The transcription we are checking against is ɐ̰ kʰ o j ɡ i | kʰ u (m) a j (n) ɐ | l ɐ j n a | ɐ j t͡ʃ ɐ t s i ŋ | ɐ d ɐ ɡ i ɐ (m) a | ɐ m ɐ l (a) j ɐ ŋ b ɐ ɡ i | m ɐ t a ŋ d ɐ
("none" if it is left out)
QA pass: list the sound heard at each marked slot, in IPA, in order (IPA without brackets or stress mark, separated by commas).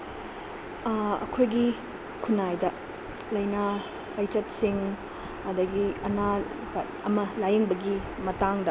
n, d, n, a